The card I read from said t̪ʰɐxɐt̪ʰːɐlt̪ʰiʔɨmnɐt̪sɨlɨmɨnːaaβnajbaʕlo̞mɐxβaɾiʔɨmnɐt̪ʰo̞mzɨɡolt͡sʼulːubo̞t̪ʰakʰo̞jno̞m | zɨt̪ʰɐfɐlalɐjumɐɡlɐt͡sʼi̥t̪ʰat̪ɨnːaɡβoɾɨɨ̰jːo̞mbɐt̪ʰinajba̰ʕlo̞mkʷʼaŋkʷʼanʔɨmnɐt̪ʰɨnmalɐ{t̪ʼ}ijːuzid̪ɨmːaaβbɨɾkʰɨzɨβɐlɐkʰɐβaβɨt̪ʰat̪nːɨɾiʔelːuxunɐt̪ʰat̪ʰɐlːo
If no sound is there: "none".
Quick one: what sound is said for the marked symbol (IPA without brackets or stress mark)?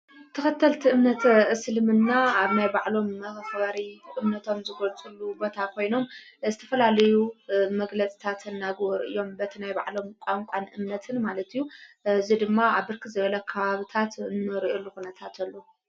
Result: t̪